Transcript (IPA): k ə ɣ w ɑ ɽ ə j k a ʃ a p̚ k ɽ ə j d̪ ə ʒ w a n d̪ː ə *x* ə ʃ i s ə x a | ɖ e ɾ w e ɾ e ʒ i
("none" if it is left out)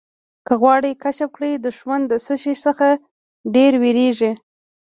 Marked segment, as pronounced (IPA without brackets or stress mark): s